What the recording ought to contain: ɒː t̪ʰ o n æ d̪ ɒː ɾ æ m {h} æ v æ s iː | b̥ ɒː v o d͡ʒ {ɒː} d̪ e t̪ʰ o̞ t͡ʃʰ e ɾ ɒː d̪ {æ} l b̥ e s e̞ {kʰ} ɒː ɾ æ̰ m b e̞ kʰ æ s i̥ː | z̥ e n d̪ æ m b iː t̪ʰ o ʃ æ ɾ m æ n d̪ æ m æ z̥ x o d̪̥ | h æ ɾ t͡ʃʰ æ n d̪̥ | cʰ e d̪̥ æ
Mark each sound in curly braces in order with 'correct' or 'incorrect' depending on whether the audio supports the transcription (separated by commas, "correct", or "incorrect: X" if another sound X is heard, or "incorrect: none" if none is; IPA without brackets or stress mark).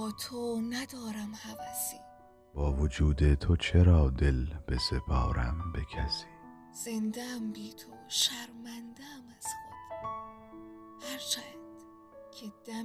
correct, incorrect: uː, incorrect: e, incorrect: pʰ